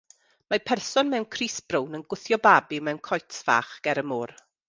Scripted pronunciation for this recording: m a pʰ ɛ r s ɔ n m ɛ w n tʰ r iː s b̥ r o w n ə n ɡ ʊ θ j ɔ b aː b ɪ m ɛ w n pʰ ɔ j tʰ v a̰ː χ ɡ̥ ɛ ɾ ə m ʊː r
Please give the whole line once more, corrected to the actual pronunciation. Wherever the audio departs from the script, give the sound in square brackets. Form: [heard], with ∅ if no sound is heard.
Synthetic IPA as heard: m a pʰ ɛ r s ɔ n m ɛ w n [kʰ] r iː s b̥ r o w n ə n ɡ ʊ θ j ɔ b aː b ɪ m ɛ w n [kʰ] ɔ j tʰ v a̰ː χ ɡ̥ ɛ ɾ ə m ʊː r